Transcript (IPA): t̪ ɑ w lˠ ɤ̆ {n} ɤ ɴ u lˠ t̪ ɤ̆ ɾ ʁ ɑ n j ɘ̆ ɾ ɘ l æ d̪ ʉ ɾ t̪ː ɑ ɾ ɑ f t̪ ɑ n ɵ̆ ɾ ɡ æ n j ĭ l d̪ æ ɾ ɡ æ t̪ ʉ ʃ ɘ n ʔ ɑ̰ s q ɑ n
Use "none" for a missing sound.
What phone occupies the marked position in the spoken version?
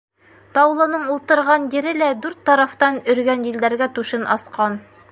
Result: n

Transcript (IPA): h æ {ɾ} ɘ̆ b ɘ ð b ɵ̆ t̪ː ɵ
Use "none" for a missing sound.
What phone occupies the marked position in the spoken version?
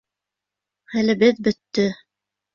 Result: l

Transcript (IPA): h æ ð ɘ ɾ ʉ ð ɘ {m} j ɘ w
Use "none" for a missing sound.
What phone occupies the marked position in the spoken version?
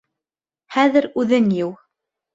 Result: n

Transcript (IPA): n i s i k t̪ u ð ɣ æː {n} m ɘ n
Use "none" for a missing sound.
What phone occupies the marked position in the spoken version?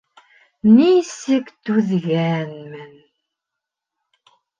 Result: n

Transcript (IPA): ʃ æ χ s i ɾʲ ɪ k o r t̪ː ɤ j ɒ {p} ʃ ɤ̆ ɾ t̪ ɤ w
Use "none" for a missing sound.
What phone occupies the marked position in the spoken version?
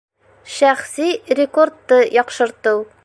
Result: q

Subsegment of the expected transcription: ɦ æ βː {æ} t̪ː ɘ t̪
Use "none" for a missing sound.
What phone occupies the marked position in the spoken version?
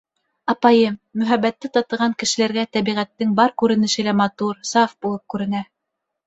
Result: æ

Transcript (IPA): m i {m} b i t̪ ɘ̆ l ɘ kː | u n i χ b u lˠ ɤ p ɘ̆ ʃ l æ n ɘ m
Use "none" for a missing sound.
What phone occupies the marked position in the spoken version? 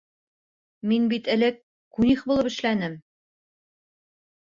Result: n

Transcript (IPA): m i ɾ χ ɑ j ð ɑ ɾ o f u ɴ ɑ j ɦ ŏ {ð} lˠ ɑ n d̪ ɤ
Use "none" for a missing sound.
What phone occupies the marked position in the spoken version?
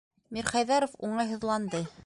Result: ð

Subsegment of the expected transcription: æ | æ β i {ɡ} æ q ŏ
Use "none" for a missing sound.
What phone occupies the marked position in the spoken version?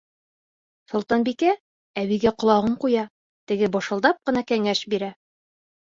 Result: ɡ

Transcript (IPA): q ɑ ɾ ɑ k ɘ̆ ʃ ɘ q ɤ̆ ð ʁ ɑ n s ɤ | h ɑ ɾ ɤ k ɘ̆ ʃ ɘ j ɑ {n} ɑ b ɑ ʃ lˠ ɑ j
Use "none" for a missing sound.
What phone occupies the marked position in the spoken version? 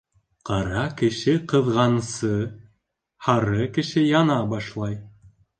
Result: n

